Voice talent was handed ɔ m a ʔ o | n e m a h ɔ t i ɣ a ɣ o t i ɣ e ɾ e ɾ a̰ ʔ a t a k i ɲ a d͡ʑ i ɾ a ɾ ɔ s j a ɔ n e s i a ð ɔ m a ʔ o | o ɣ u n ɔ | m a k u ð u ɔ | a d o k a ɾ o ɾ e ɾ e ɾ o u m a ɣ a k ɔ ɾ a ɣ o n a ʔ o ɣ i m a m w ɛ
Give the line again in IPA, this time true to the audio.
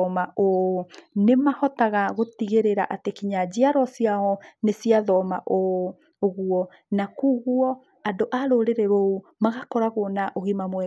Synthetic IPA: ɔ m a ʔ o | n e m a h ɔ t a ɣ a ɣ o t i ɣ e ɾ e ɾ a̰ ʔ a t e k i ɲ a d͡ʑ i a ɾ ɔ s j a ɔ n e s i a ð ɔ m a ʔ o | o ɣ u ɔ | n a k u ɣ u ɔ | a d o ʔ a ɾ o ɾ e ɾ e ɾ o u m a ɣ a k ɔ ɾ a ɣ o n a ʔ o ɣ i m a m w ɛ